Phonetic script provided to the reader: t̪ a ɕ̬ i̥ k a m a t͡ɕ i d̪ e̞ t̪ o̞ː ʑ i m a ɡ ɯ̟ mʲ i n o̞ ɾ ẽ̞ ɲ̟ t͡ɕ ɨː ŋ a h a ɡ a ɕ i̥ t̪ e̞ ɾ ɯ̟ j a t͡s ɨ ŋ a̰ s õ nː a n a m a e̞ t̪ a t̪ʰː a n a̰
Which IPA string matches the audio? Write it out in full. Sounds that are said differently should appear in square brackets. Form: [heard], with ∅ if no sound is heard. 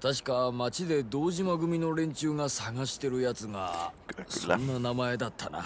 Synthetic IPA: t̪ a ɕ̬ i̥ k a m a t͡ɕ i d̪ e̞ [d̪] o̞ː ʑ i m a ɡ ɯ̟ mʲ i n o̞ ɾ ẽ̞ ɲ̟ t͡ɕ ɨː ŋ a [s] a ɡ a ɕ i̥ t̪ e̞ ɾ ɯ̟ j a t͡s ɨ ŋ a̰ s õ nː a n a m a e̞ [d̪] a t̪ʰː a n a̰